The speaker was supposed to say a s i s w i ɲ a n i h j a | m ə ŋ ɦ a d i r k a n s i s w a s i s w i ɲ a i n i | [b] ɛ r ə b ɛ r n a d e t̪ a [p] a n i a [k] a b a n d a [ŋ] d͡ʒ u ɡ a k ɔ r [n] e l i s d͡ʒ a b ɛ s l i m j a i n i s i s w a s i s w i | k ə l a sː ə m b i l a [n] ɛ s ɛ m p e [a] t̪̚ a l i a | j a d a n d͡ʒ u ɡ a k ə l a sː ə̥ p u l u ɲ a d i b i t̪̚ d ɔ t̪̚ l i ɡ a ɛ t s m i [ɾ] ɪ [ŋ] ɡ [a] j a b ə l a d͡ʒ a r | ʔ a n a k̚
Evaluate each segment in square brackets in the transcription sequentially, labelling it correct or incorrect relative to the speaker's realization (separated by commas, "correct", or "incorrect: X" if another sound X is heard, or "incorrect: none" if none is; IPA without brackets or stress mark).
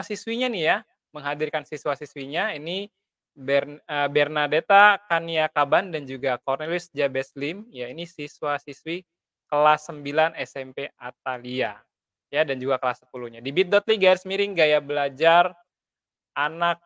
correct, incorrect: k, correct, incorrect: n, correct, correct, correct, correct, correct, correct